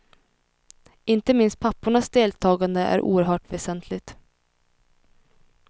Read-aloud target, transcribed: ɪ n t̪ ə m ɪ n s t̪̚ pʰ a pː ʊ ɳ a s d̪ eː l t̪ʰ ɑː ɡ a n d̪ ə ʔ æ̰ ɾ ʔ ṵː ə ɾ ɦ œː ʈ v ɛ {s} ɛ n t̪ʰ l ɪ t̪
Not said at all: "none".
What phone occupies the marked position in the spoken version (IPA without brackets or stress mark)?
s